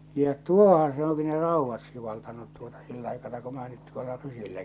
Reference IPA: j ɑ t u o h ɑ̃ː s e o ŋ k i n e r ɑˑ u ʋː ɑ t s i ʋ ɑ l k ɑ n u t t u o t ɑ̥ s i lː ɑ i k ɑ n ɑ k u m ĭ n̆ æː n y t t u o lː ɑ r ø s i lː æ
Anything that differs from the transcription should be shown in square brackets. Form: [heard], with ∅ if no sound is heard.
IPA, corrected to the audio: j ɑ t u o h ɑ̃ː s e o ŋ k i n e r ɑˑ u ʋː ɑ t s i ʋ ɑ l [t] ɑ n u t t u o t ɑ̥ s i lː ɑ i k ɑ n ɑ k u m ĭ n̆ æː n y t t u o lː ɑ r [y] s i lː æ